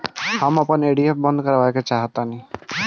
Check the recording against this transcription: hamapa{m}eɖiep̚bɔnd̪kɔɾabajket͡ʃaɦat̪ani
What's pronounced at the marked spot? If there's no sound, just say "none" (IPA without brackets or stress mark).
n